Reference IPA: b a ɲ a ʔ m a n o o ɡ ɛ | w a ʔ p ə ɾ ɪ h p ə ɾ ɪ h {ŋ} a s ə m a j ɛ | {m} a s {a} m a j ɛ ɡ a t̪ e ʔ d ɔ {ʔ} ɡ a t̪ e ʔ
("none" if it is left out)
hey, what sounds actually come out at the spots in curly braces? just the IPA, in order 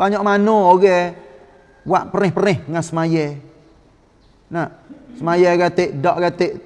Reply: ŋ, n, ə, ʔ

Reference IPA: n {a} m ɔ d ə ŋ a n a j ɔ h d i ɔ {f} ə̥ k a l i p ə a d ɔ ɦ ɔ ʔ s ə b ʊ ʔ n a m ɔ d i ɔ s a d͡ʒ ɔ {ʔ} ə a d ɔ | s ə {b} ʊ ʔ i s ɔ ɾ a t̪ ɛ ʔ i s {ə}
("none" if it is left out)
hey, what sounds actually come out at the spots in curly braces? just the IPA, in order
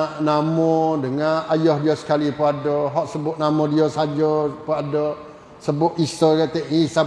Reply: a, s, p, b, a

